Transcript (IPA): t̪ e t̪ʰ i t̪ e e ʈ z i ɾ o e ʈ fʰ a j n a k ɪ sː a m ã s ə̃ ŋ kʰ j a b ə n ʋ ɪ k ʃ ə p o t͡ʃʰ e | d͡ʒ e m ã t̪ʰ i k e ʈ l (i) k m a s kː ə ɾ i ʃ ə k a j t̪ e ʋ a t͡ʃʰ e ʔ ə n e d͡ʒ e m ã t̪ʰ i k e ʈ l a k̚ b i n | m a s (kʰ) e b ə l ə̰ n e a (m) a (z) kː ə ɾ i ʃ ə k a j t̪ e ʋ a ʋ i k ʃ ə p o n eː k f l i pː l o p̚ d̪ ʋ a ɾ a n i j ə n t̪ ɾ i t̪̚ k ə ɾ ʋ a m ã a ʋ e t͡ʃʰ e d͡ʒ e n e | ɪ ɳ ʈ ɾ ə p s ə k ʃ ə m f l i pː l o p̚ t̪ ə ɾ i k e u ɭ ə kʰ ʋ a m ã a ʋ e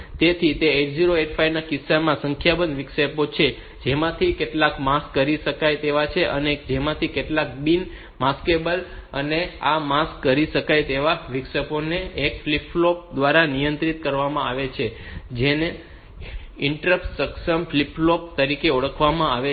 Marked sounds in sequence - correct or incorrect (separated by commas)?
incorrect, incorrect, correct, incorrect